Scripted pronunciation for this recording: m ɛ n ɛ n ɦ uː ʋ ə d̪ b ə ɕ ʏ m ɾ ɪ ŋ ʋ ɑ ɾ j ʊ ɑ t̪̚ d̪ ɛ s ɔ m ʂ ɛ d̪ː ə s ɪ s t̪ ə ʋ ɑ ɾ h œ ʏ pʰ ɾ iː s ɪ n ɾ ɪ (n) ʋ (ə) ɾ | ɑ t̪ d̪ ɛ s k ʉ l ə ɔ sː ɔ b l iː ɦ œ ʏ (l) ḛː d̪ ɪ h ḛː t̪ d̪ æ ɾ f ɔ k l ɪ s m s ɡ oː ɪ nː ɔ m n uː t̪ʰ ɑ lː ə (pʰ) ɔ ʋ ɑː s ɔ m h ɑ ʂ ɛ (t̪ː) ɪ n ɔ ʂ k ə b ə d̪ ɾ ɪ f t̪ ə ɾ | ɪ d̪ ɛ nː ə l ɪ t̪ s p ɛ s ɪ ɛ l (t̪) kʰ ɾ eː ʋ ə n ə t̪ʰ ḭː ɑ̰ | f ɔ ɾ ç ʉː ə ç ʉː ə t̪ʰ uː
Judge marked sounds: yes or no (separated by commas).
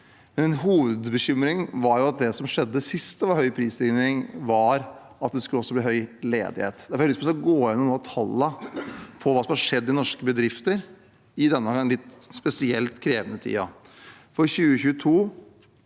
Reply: no, no, yes, yes, no, yes